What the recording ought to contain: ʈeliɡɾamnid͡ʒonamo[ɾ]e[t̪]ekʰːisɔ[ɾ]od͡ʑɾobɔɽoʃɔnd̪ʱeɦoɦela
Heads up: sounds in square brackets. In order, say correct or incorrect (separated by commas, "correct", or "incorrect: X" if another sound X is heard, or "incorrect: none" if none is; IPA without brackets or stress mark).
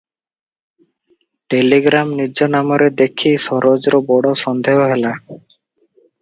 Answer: correct, incorrect: d̪, correct